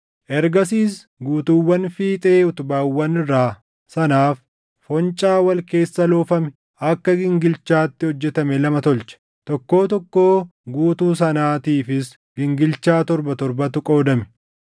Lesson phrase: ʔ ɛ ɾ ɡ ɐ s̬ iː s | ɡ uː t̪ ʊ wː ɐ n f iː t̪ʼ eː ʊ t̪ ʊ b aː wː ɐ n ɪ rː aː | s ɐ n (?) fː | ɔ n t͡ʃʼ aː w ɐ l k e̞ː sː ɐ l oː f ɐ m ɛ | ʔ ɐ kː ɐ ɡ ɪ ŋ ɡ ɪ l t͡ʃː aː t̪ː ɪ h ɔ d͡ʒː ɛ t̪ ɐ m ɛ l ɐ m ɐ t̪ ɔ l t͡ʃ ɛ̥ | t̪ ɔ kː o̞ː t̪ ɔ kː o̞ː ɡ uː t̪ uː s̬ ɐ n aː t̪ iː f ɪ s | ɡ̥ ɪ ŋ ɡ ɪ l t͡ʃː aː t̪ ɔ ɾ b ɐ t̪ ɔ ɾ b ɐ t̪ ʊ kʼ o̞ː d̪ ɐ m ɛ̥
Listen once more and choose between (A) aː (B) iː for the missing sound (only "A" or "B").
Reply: A